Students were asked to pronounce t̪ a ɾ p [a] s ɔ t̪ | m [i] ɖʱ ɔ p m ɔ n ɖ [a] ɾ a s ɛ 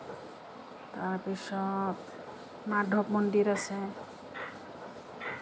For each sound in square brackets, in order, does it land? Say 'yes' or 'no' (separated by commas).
no, no, no